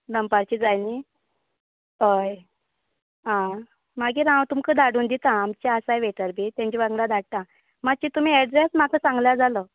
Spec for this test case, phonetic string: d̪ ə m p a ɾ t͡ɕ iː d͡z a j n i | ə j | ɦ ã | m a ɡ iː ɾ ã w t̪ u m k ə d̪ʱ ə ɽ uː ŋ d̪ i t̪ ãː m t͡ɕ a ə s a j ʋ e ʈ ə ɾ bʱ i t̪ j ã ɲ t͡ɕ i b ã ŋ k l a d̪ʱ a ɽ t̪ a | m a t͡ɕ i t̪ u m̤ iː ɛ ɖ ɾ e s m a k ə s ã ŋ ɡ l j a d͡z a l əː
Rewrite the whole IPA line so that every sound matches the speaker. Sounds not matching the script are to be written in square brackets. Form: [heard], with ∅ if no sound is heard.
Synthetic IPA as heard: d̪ ə m p a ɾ t͡ɕ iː d͡z a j n i | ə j | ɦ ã | m a ɡ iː ɾ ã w t̪ u m k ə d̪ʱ [a] ɽ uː [n] d̪ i t̪ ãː m t͡ɕ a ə s a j ʋ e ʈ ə ɾ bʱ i t̪ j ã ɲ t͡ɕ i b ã ŋ [ɡ] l a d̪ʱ a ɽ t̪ a | m a t͡ɕ i t̪ u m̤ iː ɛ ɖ ɾ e s m a k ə s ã ŋ ɡ l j a d͡z a l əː